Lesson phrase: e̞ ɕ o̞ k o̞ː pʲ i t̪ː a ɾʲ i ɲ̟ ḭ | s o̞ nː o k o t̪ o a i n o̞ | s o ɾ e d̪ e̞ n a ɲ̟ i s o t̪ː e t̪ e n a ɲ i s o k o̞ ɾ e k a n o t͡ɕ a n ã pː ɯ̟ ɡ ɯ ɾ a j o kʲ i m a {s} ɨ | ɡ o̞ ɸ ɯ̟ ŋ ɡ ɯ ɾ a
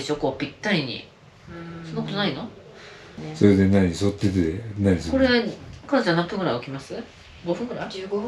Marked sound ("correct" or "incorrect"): correct